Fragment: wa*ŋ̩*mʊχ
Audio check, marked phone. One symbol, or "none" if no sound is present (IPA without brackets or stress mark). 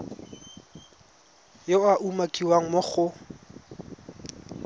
ŋ̩